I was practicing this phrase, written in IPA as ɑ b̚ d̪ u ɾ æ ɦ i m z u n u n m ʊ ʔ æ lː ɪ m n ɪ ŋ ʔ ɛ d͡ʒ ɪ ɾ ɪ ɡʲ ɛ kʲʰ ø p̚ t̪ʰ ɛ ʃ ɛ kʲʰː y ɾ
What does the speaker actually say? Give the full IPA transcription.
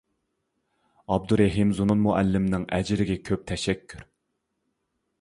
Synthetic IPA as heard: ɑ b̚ d̪ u ɾ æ ɦ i m z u n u n m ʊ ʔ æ lː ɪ m n ɪ ŋ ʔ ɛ d͡ʒ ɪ ɾ ɪ ɡʲ ɛ kʲʰ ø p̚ t̪ʰ ɛ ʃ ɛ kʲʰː y ɾ